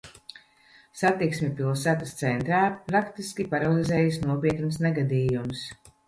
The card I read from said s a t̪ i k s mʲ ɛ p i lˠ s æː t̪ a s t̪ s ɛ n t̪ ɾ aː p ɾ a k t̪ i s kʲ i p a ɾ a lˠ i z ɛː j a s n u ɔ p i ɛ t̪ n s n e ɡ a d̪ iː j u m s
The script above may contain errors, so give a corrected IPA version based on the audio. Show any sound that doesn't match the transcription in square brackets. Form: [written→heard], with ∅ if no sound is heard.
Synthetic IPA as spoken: s a t̪ i k s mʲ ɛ p i lˠ s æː t̪ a s t̪ s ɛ n t̪ ɾ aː p ɾ a k t̪ i s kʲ i p a ɾ a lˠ i z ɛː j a s n u ɔ p i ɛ t̪ n s n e ɡ a d̪ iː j u m s